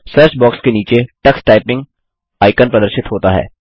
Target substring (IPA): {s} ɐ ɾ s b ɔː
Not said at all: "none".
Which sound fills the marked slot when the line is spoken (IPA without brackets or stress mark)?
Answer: s